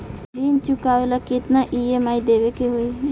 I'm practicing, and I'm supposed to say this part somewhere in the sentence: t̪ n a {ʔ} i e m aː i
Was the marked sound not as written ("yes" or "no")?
no